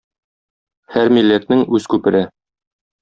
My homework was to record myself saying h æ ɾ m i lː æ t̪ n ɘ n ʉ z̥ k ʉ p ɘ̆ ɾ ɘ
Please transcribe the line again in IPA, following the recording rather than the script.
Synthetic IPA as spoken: h æ ɾ m i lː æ t̪ n ɘ ŋ ʉ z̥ k ʉ p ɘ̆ ɾ ɘ